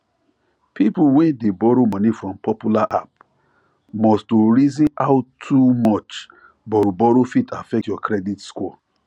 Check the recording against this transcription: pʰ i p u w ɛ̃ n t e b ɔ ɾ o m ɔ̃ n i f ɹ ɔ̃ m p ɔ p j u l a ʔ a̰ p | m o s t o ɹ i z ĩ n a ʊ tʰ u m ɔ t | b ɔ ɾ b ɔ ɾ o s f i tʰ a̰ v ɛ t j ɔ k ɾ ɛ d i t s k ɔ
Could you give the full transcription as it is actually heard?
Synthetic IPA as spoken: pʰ i p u w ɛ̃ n d e b ɔ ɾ o m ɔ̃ n i f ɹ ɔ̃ m p ɔ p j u l a ʔ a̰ p | m ɔ s t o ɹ i z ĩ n a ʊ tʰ u m ɔ t͡ʃ | b ɔ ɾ b ɔ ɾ o f i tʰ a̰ f ɛ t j ɔ k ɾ ɛ d i t s k ɔ